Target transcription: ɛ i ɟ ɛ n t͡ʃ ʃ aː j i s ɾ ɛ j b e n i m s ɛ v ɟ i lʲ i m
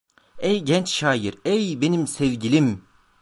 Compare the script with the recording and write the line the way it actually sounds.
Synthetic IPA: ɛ j ɟ ɛ n t͡ʃ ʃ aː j i ɾ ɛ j b e n i m s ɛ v ɟ i lʲ i m

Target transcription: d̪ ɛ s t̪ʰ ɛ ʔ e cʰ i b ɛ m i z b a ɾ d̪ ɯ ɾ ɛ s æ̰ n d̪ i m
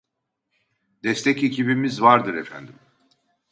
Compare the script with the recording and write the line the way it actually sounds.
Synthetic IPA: d̪ ɛ s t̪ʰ ɛ c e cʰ i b i m i z v a ɾ d̪ ɯ ɾ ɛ f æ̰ n d̪ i m

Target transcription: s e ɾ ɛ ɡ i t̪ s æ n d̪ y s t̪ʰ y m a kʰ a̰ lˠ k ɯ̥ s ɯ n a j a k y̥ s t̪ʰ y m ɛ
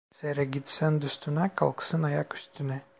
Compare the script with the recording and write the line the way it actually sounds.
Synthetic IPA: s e ɾ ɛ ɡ i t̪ s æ n d̪ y s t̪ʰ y n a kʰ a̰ lˠ k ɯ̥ s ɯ n a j a k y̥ s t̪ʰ y n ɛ

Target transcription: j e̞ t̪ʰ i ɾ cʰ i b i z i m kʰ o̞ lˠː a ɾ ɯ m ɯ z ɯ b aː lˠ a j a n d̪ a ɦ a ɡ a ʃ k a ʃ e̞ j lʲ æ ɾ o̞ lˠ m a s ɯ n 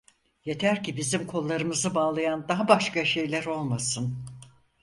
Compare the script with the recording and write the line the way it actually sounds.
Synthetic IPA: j e̞ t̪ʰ æ ɾ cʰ i b i z i m kʰ o̞ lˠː a ɾ ɯ m ɯ z ɯ b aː lˠ a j a n d̪ a ɦ a b a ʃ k a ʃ e̞ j lʲ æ ɾ o̞ lˠ m a s ɯ n

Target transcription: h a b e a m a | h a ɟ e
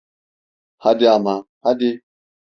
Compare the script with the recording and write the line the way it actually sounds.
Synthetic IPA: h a d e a m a | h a d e

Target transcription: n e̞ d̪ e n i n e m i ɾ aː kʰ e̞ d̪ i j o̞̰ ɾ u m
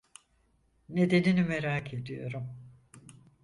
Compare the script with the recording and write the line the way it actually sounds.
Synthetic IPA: n e̞ d̪ e n i n i m e ɾ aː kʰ e̞ d̪ i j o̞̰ ɾ u m

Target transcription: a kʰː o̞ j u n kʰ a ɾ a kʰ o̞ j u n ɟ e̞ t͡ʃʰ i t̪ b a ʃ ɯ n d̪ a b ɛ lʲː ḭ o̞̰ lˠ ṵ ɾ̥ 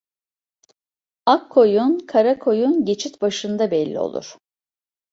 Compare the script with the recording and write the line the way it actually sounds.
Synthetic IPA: a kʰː o̞ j u n kʰ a ɾ a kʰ o̞ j u n ɟ e̞ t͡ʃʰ i t̪ b a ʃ ɯ n d̪ a b ɛ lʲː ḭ o̞̰ lˠ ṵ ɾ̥

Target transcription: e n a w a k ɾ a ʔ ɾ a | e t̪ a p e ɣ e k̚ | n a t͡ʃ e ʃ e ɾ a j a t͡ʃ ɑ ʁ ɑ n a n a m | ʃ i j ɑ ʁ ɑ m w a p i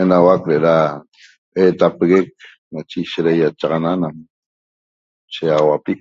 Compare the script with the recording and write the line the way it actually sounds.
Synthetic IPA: e n a w a k ɾ e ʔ ɾ a | e t̪ a p e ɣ e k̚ | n a t͡ʃ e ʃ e ɾ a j a t͡ʃ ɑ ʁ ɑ n a n a m | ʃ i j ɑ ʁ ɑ w a p i

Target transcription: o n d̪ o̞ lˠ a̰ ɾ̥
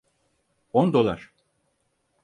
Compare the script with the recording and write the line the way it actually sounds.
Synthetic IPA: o n d̪ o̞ lˠ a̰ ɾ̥

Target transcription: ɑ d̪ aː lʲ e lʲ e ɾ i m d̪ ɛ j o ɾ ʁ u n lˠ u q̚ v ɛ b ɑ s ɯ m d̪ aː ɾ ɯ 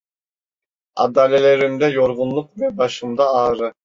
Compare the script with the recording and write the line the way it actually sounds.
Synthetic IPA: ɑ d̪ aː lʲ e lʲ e ɾ i m d̪ ɛ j o ɾ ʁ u n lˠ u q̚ v ɛ b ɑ ʃ ɯ m d̪ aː ɾ ɯ

